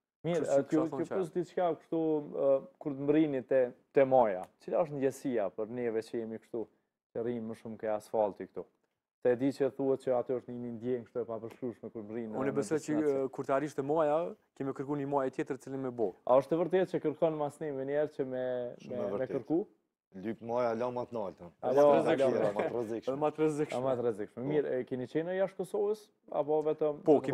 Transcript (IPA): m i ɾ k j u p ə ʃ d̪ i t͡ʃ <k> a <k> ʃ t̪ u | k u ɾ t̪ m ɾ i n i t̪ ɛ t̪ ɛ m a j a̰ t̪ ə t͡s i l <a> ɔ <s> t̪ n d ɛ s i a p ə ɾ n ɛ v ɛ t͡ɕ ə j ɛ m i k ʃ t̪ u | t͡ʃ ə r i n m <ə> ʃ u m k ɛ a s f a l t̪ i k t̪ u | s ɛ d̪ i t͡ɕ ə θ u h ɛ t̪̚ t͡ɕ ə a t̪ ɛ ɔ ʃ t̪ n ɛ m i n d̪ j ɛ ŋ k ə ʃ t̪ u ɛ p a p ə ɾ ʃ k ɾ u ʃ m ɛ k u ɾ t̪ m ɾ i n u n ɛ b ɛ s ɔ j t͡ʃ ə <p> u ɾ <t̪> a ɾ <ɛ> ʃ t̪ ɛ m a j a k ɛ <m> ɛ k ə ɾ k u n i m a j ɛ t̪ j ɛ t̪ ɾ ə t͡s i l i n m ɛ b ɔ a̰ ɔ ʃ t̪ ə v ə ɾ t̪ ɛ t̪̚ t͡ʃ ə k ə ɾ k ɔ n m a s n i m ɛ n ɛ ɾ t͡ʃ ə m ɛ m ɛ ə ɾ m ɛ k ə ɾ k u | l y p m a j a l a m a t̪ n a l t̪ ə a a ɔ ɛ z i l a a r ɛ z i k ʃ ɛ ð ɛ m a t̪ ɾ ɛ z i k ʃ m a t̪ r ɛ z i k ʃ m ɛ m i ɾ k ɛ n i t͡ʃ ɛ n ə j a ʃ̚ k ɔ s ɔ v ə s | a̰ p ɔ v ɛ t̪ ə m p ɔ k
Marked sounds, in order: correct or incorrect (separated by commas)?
correct, correct, correct, incorrect, correct, incorrect, correct, incorrect, correct